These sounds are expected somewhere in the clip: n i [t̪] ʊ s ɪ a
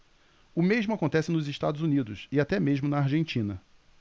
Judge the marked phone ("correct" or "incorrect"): incorrect